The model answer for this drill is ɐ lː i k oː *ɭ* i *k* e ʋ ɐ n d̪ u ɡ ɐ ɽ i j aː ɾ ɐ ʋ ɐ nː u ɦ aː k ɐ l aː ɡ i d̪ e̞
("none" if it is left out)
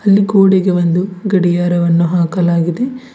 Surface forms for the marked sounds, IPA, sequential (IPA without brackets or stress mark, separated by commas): ɽ, ɡ